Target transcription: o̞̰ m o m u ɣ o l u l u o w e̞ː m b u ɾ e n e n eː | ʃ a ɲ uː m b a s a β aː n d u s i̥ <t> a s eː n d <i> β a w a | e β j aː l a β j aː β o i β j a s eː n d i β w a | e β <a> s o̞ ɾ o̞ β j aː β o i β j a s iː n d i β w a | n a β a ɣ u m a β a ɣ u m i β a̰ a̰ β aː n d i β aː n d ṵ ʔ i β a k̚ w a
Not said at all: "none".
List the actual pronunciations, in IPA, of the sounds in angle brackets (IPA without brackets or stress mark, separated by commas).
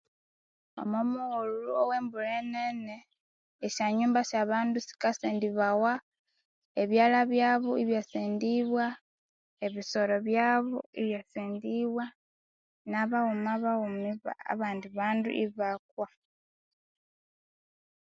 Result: k, i, i